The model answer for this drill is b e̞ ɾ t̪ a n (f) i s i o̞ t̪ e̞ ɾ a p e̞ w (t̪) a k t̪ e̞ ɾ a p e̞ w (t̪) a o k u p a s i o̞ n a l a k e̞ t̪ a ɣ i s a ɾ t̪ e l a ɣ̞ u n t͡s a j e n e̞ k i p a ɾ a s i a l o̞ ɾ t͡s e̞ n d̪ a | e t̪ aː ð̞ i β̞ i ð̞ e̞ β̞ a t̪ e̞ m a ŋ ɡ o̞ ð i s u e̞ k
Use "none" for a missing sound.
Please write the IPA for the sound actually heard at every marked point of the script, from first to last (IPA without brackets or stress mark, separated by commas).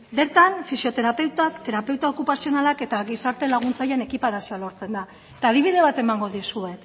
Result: f, t̪, t̪